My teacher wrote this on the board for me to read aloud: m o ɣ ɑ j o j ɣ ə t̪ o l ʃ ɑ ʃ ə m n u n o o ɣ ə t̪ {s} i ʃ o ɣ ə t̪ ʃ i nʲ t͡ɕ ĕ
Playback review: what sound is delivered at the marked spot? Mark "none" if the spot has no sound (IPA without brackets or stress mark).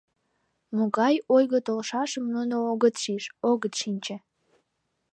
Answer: ʃ